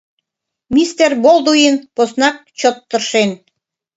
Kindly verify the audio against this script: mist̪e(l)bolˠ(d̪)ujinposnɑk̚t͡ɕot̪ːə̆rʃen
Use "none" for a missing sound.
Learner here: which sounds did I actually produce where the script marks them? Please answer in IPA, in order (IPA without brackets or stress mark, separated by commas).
r, d̪